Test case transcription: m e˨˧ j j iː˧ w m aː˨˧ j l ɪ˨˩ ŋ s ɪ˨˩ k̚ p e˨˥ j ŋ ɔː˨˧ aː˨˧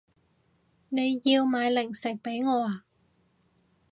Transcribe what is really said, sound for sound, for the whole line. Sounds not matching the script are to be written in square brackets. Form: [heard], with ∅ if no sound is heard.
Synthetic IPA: [n] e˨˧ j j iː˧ w m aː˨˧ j l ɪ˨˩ ŋ s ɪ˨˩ k̚ p e˨˥ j ŋ ɔː˨˧ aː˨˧